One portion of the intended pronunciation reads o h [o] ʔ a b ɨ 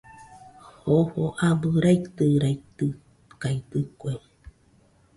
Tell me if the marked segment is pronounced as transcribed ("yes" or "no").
yes